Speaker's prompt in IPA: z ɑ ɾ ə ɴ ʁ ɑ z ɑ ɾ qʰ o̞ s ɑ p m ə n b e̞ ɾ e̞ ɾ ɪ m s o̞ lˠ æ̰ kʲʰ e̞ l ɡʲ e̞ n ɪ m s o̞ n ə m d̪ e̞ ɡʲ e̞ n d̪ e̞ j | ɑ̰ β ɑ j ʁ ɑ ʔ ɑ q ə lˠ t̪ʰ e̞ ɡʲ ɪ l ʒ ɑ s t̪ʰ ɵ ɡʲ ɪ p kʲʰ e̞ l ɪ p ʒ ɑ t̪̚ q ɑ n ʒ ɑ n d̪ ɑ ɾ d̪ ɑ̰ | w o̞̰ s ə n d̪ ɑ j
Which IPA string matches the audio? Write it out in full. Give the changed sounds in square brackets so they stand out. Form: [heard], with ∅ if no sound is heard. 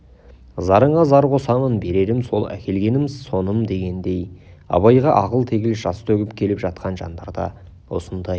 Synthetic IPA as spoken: z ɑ ɾ ə ɴ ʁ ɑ z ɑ ɾ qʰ o̞ s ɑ [∅] m ə n b e̞ ɾ e̞ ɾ ɪ m s o̞ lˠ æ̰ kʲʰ e̞ l ɡʲ e̞ n ɪ m s o̞ n ə m d̪ e̞ ɡʲ e̞ n d̪ e̞ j | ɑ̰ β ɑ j ʁ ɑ ʔ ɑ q ə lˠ t̪ʰ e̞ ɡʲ ɪ l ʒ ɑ s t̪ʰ ɵ ɡʲ ɪ p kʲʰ e̞ l ɪ p ʒ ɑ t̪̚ q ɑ n ʒ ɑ n d̪ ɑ ɾ d̪ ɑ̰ | w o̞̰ s ə n d̪ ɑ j